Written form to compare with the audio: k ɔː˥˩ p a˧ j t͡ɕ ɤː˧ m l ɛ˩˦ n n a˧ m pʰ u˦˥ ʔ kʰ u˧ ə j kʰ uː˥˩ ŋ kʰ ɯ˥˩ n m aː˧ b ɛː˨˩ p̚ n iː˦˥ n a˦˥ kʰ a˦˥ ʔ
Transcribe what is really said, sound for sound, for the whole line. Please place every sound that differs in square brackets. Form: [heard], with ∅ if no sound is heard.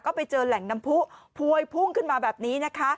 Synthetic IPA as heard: k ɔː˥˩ p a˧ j t͡ɕ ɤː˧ [∅] l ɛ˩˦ [ŋ] n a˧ m pʰ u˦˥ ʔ [pʰ] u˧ ə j [pʰ] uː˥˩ ŋ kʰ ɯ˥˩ n m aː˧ b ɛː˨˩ p̚ n iː˦˥ n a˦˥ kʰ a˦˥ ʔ